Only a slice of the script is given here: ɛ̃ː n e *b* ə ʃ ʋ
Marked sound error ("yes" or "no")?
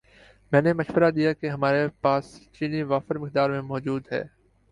yes